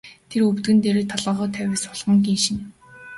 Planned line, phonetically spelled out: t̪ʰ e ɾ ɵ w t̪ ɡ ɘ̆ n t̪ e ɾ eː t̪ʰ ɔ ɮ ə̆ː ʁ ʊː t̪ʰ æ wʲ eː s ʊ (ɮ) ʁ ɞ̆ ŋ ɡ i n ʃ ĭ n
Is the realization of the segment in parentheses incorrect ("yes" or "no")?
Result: no